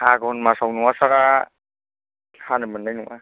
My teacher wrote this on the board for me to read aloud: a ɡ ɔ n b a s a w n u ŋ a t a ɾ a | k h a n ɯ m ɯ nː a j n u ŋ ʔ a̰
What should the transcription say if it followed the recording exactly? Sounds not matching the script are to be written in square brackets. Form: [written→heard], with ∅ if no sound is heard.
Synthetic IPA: a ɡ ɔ n [b→m] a s a w n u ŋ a [t→s] a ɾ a | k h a n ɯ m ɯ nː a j n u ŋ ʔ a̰